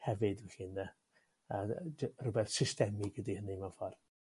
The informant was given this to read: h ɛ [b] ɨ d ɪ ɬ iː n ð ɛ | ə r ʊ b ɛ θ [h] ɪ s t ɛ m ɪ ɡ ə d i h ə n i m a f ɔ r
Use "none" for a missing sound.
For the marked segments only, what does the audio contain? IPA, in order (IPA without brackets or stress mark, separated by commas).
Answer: v, s